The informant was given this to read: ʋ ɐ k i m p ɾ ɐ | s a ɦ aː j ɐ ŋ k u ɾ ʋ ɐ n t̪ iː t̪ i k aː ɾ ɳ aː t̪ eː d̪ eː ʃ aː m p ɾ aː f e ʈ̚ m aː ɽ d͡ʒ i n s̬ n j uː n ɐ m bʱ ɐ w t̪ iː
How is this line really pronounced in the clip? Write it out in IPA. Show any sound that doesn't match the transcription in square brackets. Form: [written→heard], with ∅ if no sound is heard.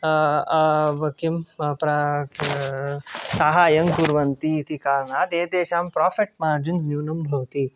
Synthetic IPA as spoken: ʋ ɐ k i m p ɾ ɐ | s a ɦ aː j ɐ ŋ k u ɾ ʋ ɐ n t̪ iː t̪ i k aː ɾ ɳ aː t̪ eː d̪ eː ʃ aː m p ɾ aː f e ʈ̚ m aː [ɽ→ɾ] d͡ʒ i n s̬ n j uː n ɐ m bʱ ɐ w t̪ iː

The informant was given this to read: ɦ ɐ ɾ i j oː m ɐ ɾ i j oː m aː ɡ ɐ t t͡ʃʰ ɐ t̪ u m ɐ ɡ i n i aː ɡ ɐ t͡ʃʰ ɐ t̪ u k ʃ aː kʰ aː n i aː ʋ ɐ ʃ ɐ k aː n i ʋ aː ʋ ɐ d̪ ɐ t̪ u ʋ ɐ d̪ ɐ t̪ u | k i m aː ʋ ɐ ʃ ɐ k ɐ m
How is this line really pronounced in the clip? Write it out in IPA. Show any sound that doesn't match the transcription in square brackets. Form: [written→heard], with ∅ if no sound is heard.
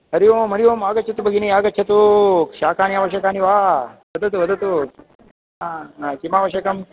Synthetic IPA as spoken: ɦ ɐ ɾ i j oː m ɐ ɾ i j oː m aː ɡ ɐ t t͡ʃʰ ɐ t̪ u [m→b] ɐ ɡ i n i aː ɡ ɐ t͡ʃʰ ɐ t̪ u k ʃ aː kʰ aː n i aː ʋ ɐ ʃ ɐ k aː n i ʋ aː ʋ ɐ d̪ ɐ t̪ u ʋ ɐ d̪ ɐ t̪ u | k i m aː ʋ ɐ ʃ ɐ k ɐ m

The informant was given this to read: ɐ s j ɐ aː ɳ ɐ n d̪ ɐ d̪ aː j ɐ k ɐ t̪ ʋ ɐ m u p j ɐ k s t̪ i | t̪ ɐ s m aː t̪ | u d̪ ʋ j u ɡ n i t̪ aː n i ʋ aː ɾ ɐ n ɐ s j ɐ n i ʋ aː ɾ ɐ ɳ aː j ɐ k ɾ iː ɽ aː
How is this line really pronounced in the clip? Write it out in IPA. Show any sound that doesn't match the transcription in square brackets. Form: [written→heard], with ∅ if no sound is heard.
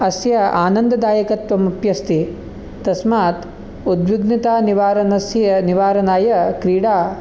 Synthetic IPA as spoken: ɐ s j ɐ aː [ɳ→n] ɐ n d̪ ɐ d̪ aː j ɐ k ɐ t̪ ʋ ɐ m u p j ɐ [k→∅] s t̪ i | t̪ ɐ s m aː t̪ | u d̪ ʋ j u ɡ n i t̪ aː n i ʋ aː ɾ ɐ n ɐ s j ɐ n i ʋ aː ɾ ɐ [ɳ→n] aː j ɐ k ɾ iː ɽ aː

